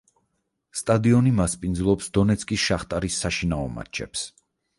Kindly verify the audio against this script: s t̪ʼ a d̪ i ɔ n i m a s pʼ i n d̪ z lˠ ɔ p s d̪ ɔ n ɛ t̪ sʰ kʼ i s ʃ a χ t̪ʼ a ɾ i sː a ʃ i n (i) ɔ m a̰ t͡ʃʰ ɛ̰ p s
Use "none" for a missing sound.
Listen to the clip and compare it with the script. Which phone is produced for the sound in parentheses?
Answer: a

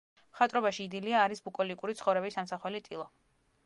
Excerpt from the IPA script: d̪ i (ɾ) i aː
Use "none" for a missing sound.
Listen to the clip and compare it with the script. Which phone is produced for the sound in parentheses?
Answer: l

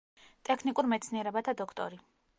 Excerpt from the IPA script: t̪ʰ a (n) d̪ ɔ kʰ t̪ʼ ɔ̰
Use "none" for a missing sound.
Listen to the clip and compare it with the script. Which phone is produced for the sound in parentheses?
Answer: none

